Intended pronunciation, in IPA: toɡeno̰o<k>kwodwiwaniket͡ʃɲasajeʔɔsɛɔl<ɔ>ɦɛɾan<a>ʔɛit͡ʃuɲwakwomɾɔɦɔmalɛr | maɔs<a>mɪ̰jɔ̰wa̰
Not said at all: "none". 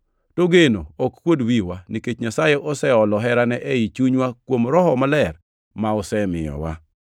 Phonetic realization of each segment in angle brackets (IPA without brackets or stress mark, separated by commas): k, ɔ, ɛ, ɛ